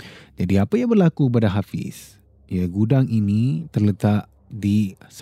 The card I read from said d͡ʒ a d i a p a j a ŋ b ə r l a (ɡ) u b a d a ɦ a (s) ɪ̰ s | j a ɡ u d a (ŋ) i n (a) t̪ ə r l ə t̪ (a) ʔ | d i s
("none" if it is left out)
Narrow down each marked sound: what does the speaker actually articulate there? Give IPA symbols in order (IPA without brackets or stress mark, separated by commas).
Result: k, f, ŋ, i, a